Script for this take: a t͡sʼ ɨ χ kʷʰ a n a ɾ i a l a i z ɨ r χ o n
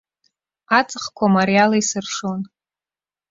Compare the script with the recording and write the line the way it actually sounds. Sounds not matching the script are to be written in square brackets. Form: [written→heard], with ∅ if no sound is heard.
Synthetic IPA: a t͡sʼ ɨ χ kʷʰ a [n→m] a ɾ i a l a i [z→s] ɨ r [χ→ʂ] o n